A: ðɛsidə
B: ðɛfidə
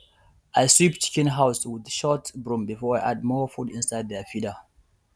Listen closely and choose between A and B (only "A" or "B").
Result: B